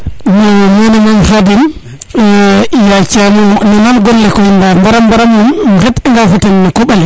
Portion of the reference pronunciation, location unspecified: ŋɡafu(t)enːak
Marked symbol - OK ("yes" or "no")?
yes